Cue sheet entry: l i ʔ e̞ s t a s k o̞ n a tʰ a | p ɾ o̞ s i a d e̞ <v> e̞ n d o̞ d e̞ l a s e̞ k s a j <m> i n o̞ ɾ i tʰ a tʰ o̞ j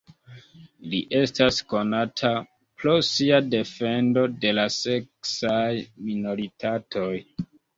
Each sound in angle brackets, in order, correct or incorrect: incorrect, correct

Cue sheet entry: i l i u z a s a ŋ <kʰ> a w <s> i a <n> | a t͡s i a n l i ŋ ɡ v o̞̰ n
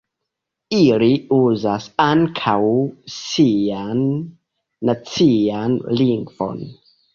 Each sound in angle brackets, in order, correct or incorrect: correct, correct, incorrect

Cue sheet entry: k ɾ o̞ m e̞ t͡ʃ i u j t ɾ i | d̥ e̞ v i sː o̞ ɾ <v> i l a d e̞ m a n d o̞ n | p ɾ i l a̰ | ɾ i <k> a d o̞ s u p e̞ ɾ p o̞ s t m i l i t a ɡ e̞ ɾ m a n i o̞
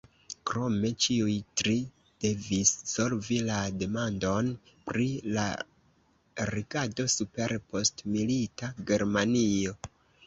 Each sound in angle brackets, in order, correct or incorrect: correct, incorrect

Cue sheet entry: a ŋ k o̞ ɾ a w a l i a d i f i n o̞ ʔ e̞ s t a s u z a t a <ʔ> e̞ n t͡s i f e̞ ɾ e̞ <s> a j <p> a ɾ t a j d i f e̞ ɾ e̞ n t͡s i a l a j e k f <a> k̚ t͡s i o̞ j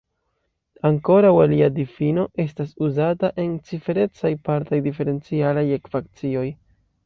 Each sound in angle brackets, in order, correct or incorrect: correct, incorrect, correct, correct

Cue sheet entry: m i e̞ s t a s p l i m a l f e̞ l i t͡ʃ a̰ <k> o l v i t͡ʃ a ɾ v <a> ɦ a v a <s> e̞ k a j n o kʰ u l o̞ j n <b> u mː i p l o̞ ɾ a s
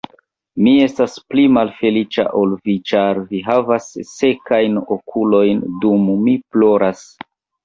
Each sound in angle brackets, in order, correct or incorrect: incorrect, incorrect, incorrect, incorrect

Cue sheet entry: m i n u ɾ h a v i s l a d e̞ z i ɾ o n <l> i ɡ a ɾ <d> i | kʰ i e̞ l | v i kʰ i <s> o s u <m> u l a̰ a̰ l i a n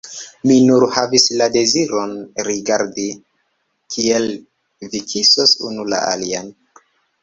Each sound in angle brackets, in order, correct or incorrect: incorrect, correct, correct, incorrect

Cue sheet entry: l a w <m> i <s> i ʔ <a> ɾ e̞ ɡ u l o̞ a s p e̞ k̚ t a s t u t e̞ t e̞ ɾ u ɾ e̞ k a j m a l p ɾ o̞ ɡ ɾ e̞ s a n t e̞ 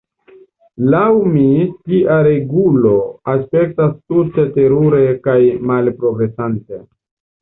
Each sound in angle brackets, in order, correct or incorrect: correct, incorrect, correct

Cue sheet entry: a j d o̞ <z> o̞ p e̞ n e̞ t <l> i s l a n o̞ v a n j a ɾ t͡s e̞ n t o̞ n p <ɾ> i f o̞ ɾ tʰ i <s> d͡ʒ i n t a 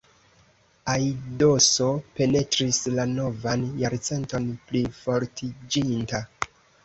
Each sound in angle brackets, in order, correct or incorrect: incorrect, incorrect, incorrect, incorrect

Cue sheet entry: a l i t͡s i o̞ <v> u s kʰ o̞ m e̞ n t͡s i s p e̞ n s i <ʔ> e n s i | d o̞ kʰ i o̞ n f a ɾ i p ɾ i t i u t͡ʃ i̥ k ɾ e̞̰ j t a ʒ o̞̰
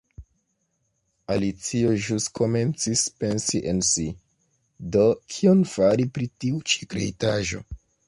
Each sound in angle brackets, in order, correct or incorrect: incorrect, correct

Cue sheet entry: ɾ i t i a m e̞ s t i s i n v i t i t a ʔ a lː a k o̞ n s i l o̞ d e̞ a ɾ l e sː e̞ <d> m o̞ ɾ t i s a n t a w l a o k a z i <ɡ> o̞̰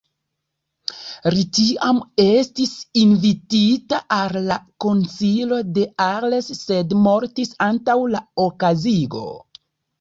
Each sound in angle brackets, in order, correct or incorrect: correct, correct

